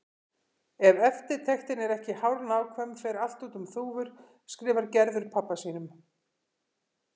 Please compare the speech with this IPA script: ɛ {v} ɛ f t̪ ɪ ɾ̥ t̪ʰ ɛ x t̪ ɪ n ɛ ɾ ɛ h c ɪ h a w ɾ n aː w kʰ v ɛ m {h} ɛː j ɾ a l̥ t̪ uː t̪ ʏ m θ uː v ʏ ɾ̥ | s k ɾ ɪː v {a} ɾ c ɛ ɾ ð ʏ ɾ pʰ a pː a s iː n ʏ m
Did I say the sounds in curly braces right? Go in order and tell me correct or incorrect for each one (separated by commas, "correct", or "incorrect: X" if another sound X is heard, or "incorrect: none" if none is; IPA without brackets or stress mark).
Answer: correct, incorrect: f, correct